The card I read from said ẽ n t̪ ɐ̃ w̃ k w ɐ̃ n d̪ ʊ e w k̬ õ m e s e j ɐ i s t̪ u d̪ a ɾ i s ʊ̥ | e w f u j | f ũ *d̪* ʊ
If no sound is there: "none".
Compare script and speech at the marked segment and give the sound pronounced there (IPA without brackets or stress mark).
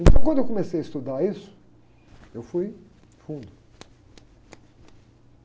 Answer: d̪